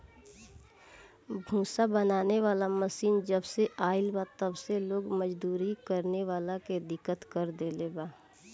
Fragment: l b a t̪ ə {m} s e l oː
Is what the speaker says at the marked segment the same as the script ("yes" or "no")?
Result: no